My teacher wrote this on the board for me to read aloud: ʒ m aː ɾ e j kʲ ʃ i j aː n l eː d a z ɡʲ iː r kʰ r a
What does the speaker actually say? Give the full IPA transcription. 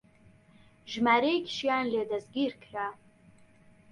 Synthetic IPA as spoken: ʒ m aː ɾ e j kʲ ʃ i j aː n l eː d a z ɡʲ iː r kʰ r a